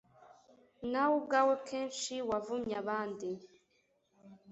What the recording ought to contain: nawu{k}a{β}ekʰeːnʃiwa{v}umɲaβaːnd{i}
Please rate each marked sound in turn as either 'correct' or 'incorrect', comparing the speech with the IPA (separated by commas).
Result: incorrect, incorrect, correct, correct